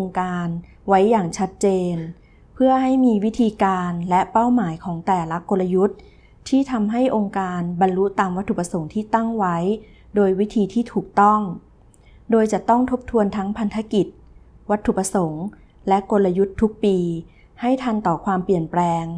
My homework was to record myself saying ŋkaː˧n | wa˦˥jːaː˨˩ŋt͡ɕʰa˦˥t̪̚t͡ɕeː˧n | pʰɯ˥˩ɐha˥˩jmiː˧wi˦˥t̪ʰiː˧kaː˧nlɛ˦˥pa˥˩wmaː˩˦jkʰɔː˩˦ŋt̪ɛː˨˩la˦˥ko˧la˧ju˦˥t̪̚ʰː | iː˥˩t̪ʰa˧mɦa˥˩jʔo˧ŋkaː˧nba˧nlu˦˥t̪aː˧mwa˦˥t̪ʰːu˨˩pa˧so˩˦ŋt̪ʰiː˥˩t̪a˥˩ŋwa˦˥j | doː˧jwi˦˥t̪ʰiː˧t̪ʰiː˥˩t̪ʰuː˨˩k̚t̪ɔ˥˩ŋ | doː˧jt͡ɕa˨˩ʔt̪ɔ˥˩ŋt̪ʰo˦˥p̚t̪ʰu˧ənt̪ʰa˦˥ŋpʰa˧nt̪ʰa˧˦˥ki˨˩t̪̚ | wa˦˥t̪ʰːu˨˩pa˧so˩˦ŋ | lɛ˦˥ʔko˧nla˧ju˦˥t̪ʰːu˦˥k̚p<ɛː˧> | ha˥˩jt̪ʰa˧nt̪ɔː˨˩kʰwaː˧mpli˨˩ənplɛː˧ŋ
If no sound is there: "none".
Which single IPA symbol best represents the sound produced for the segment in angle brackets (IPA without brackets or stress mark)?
iː˧